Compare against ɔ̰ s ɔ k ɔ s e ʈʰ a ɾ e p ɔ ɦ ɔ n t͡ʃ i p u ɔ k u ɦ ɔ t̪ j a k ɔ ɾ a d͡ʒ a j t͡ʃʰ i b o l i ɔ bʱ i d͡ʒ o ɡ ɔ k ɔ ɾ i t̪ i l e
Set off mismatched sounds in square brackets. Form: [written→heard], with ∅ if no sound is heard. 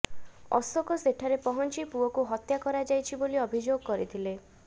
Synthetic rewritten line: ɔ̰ s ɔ k ɔ s e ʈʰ a ɾ e p ɔ ɦ ɔ n t͡ʃ i p u ɔ k u ɦ ɔ t̪ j a k ɔ ɾ a d͡ʒ a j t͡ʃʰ i b o l i ɔ bʱ i d͡ʒ o ɡ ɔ k ɔ ɾ i [t̪→t̪ʰ] i l e